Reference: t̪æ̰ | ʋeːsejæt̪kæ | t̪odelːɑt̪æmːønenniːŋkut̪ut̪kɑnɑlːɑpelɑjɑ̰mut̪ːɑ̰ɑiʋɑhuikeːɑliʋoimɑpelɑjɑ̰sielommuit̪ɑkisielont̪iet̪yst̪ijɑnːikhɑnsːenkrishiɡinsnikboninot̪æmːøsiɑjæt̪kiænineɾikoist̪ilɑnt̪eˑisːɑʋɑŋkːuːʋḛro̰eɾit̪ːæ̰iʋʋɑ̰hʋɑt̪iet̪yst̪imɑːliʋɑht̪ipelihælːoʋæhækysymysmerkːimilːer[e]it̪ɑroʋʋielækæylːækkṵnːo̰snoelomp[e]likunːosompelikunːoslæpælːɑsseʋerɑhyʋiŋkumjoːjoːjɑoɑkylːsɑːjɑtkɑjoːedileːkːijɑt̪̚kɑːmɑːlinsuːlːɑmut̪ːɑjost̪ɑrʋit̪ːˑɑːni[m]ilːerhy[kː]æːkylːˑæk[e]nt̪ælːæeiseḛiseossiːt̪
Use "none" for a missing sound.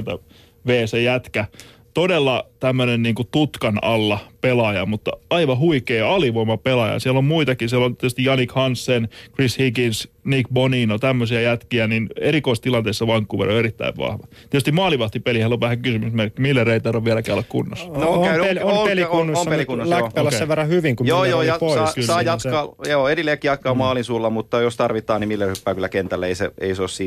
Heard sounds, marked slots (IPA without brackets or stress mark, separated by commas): e, e, m, pː, e